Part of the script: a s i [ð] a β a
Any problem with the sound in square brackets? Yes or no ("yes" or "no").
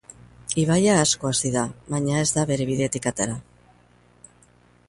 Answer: no